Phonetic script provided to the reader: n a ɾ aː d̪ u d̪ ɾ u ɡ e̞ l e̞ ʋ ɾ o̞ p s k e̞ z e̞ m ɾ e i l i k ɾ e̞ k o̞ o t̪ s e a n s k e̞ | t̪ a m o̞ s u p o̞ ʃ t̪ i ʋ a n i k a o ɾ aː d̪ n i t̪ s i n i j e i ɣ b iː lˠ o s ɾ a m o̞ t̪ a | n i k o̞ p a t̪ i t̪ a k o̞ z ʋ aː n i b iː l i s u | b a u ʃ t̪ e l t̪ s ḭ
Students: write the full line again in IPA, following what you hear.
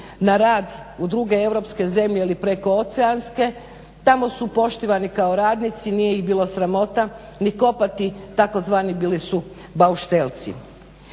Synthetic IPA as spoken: n a ɾ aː d̪ u d̪ ɾ u ɡ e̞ e̞ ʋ ɾ o̞ p s k e̞ z e̞ m ʎ e i l i p ɾ e̞ k o̞ o t̪ s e a n s k e̞ | t̪ a m o̞ s u p o̞ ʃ t̪ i ʋ a n i k a o ɾ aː d̪ n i t̪ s i n i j e i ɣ b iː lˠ o s ɾ a m o̞ t̪ a | n i k o̞ p a t̪ i t̪ a k o̞ z ʋ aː n i b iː l i s u | b a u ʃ t̪ e l t̪ s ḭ